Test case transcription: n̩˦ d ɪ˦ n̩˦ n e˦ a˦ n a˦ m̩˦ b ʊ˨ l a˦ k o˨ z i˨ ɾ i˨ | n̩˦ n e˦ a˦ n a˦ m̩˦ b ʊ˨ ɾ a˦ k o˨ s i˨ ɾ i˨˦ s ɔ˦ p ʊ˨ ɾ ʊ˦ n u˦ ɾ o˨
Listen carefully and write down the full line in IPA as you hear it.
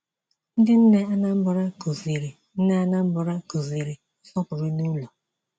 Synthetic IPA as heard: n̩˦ d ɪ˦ n̩˦ n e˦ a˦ n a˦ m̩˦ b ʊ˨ ɾ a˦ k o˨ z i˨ ɾ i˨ | n̩˦ n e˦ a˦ n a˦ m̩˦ b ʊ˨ ɾ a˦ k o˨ z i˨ ɾ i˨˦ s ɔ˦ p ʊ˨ ɾ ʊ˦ n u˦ l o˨